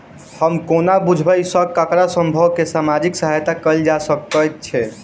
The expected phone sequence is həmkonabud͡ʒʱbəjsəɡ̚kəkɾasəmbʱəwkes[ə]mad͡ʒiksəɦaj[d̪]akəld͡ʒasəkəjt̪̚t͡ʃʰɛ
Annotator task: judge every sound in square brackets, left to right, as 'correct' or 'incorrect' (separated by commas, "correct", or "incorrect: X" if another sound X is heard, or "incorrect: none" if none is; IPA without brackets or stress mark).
incorrect: a, incorrect: t̪